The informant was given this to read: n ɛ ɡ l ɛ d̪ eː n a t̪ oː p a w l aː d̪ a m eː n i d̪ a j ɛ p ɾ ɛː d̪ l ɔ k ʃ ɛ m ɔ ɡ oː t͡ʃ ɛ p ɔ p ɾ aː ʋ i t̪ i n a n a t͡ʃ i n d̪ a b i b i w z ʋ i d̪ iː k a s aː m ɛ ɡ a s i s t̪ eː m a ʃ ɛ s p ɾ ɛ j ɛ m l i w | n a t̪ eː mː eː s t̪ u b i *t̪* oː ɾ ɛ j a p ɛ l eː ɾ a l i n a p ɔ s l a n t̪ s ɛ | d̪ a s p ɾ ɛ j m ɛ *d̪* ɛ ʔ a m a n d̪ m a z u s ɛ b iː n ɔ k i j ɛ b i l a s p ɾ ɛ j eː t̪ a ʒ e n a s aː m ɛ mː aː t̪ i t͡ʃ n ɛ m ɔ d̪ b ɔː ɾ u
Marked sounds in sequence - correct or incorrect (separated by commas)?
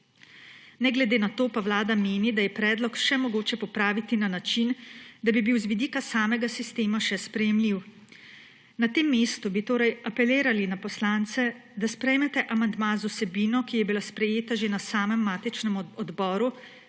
correct, incorrect